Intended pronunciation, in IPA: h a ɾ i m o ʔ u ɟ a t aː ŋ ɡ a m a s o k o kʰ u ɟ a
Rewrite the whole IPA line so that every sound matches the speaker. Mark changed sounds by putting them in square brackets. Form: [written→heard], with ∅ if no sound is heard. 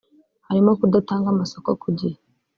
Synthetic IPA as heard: h a ɾ i m o [ʔ→k] u [ɟ→d] a t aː ŋ ɡ a m a s o k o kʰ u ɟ [a→i]

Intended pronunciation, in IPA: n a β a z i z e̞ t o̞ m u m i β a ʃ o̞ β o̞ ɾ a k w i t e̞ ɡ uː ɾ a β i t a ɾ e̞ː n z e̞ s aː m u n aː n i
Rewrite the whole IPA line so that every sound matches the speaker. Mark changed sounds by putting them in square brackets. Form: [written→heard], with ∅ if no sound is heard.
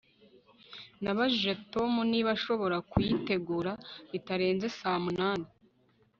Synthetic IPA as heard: n a β a [z→ʒ] i [z→ʒ] e̞ t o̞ m u [m→n] i β a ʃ o̞ β o̞ ɾ a k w i t e̞ ɡ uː ɾ a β i t a ɾ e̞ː n z e̞ s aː m u n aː n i

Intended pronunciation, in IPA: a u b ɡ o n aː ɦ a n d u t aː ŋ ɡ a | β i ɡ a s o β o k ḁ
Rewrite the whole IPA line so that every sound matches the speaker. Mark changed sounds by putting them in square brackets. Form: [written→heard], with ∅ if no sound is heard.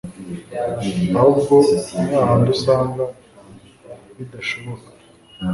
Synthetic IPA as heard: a u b ɡ o n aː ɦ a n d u [t→s] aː ŋ ɡ a | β i [ɡ→d] a [s→ʃ] o β o k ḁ

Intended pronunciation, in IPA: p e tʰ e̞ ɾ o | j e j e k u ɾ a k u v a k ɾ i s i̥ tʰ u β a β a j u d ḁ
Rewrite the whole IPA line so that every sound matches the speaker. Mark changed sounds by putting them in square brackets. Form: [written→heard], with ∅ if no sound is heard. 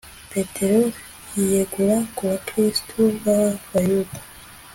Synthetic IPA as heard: p e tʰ e̞ ɾ o | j [e→i] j e [k→ɡ] u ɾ a k u [v→β] a k ɾ i s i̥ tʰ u β a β a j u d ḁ

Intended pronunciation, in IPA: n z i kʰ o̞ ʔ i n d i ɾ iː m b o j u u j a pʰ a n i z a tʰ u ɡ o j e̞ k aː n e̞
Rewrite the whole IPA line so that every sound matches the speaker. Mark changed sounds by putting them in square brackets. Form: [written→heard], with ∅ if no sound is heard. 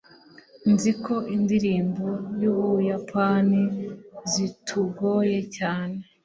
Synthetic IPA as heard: n z i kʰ o̞ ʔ i n d i ɾ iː m b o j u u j a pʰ a n i z [a→i] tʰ u ɡ o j e̞ [k→c] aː n e̞

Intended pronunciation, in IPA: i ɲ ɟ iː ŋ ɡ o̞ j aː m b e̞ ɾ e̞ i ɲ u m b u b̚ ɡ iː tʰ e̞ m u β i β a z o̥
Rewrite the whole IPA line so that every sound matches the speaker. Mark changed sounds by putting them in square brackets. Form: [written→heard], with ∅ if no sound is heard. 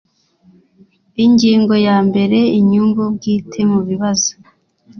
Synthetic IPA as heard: i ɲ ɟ iː ŋ ɡ o̞ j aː m b e̞ ɾ e̞ i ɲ u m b u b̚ ɡ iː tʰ e̞ m u β i β a z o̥

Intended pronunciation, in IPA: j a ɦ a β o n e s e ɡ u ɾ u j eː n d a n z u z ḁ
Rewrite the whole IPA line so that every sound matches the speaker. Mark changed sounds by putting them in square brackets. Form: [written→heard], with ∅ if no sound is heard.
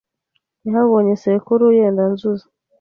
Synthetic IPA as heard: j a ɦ a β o [n→ɲ] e s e [ɡ→k] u ɾ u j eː n d a n z u z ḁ

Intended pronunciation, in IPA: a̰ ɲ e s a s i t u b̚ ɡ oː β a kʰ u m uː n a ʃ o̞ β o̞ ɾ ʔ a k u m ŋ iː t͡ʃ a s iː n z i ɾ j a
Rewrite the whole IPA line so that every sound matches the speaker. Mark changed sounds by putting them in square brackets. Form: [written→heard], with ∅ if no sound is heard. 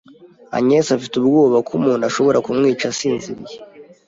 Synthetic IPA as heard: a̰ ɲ e s a [s→f] i t u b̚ ɡ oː β a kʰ u m uː n a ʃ o̞ β o̞ ɾ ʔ a k u m ŋ iː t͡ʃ a s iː n z i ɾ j [a→e]

